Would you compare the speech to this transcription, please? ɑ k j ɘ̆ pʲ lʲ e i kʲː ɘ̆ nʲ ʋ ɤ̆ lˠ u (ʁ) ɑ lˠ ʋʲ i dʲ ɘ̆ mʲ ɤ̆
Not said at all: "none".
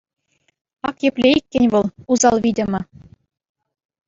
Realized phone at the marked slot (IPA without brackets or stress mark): z